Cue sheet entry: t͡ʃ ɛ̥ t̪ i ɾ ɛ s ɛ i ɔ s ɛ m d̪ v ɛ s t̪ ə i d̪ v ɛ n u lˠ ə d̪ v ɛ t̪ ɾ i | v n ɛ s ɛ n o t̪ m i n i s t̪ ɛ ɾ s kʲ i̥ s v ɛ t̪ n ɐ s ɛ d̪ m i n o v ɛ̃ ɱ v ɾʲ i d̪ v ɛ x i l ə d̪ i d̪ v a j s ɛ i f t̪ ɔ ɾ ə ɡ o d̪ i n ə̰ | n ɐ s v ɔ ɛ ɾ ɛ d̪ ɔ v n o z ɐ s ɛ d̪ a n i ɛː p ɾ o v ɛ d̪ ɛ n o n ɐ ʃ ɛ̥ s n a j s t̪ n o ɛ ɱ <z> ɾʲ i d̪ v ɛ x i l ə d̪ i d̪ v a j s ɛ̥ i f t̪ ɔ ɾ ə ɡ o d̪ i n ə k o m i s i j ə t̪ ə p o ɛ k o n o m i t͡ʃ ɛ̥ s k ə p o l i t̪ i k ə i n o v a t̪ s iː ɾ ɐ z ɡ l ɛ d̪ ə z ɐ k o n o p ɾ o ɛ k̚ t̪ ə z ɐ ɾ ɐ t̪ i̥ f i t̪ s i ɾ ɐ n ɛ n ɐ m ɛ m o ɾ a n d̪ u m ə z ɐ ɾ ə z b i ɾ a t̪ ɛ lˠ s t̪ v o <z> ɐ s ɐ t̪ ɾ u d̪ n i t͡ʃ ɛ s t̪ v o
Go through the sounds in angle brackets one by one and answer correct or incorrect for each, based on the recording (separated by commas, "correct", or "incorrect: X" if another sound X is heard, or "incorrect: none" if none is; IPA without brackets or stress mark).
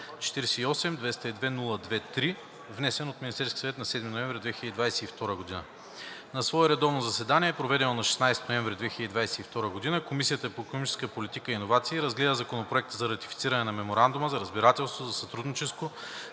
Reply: incorrect: v, correct